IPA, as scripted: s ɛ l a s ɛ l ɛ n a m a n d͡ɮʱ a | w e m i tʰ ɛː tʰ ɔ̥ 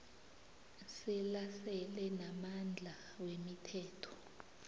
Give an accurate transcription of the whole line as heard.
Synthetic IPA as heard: s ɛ l a s ɛ l ɛ n a m a n d͡ɮʱ a | w e m i tʰ ɛː tʰ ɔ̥

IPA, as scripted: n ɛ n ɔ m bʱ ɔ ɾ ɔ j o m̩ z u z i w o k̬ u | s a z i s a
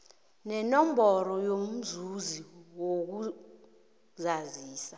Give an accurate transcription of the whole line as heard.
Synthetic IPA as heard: n ɛ n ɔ m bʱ ɔ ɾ ɔ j o m̩ z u z i w o k̬ u | z a z iː s a

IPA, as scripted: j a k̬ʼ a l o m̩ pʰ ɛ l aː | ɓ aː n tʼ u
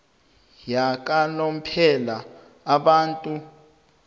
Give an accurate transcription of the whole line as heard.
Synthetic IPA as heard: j a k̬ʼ a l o m̩ pʰ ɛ l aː | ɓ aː n tʼ u

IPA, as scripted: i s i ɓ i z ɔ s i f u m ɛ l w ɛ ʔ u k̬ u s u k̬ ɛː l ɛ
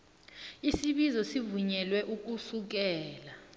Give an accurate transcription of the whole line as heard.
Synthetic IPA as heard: i s i ɓ i z ɔ s i v u ɲ ɛ l w ɛ ʔ u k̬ u s u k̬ ɛː l a

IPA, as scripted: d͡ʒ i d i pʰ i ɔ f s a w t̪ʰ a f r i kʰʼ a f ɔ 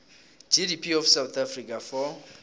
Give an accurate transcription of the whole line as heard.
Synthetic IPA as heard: d͡ʒ i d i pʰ i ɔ f s a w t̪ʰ a f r i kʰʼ a f ɔ

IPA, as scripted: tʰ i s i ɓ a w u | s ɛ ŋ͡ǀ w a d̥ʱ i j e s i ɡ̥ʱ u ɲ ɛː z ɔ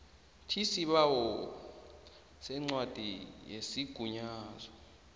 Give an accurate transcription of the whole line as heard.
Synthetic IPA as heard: tʰ i s i ɓ a w ɔ | s ɛ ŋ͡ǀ w a d̥ʱ i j e s i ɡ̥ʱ u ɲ aː z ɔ

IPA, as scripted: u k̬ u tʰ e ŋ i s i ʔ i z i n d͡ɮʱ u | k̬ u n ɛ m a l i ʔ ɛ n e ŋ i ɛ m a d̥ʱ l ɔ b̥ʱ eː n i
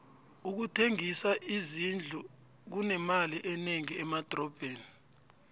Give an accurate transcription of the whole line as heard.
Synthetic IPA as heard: u k̬ u tʰ e ŋ i s a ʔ i z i n d͡ɮʱ u | k̬ u n ɛ m a l i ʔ ɛ n e ŋ i ɛ m a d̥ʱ r ɔ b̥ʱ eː n i

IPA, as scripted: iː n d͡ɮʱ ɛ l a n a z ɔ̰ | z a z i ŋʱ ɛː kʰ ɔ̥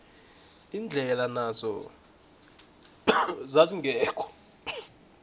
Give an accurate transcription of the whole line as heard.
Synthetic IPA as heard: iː n d͡ɮʱ ɛ l a n a z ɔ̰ | z a z i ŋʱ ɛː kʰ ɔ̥

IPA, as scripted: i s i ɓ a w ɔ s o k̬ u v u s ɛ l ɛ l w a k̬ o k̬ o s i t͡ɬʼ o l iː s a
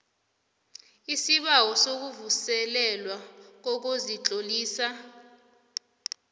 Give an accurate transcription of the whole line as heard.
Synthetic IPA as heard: i s i ɓ a w ɔ s o k̬ u v u s ɛ l ɛ l w a k̬ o k̬ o z i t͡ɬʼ o l iː s a

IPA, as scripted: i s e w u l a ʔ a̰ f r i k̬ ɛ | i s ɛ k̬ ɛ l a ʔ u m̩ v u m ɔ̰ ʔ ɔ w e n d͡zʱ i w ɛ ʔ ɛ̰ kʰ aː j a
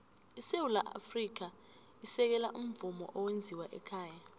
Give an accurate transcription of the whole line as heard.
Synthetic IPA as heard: i s e w u l a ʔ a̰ f r i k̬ a | i s ɛ k̬ ɛ l a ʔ u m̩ v u m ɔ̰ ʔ ɔ w e n d͡zʱ i w a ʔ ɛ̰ kʰ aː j a

